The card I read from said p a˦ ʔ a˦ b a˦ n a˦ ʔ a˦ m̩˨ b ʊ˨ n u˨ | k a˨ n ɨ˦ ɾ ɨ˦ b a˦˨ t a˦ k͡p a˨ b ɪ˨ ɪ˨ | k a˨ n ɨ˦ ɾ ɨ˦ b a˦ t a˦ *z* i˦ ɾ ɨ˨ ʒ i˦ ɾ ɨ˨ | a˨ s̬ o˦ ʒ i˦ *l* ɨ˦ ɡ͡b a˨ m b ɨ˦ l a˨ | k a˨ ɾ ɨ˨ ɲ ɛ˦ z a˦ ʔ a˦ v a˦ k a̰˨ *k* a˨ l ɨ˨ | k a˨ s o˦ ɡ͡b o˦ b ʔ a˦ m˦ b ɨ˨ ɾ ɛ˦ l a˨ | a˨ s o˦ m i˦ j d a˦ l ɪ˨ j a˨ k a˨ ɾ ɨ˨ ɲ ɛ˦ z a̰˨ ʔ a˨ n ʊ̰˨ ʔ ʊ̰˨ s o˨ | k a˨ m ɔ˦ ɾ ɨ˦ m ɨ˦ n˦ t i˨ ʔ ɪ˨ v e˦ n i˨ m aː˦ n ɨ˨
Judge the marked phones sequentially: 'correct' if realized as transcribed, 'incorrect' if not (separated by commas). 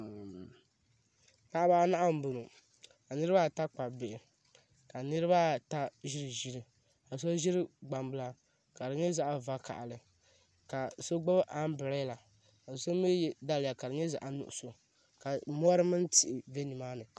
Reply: incorrect, incorrect, incorrect